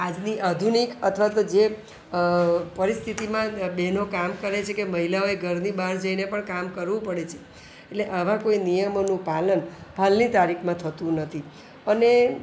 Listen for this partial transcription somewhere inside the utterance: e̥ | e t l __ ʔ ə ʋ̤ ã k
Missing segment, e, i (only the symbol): e